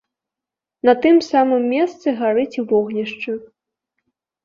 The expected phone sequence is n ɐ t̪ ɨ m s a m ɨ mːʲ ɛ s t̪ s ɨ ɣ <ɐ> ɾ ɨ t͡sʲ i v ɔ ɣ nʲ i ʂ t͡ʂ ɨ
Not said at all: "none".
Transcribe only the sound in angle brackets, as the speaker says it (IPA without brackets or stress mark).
a